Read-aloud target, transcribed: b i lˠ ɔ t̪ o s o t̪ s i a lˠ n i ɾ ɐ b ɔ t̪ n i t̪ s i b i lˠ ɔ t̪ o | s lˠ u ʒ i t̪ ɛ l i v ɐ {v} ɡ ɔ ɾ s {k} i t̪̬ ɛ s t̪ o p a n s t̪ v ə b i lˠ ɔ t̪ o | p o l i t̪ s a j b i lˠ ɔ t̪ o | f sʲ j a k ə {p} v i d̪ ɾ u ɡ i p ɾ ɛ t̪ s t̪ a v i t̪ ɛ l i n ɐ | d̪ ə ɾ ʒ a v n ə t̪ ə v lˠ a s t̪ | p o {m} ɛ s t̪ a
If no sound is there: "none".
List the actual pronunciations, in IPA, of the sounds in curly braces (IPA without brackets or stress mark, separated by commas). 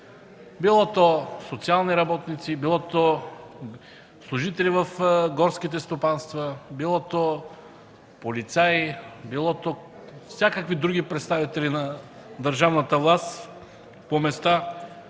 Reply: f, k, k, m